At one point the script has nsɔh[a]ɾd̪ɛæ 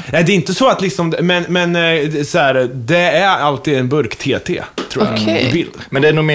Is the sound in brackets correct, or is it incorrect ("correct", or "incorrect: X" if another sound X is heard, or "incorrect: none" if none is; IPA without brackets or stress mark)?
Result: incorrect: æ